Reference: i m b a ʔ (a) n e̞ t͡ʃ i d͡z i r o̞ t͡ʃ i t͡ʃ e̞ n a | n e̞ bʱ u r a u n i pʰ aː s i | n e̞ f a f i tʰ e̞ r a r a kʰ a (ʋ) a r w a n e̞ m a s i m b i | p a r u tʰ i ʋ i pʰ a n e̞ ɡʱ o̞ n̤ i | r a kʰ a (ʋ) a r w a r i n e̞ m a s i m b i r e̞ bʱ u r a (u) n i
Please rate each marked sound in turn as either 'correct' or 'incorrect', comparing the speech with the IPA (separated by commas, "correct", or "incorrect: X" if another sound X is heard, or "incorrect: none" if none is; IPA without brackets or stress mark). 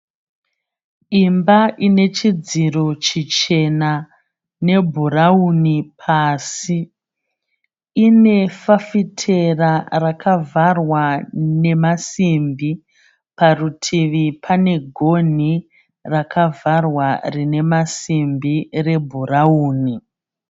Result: incorrect: i, incorrect: v, incorrect: v, incorrect: uː